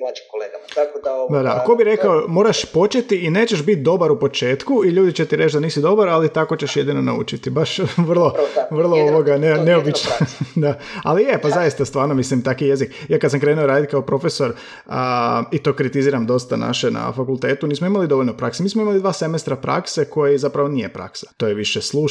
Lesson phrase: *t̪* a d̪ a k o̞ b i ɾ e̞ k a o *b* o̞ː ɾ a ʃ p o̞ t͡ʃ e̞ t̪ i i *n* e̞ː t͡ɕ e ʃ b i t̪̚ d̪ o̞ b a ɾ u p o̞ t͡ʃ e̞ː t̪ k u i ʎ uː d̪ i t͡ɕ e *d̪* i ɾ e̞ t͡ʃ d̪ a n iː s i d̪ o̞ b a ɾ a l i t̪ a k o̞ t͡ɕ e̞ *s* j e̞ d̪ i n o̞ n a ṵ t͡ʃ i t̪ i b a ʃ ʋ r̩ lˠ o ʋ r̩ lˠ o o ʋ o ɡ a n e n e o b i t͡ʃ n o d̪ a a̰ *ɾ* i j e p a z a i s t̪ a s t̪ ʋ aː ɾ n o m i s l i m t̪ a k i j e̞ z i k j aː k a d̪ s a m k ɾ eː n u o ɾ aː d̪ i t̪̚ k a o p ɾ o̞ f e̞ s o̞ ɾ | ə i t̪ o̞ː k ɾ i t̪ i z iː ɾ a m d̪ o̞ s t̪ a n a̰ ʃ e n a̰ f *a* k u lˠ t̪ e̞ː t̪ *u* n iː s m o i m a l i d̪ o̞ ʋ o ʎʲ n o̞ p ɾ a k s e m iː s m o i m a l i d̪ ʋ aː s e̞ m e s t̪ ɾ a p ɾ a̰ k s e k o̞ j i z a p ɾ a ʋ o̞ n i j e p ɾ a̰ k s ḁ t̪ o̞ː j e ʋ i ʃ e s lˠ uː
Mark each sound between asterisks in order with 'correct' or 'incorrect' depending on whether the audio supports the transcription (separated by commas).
incorrect, incorrect, correct, incorrect, incorrect, incorrect, correct, correct